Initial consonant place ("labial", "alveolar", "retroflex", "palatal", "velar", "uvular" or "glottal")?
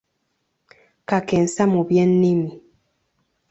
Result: velar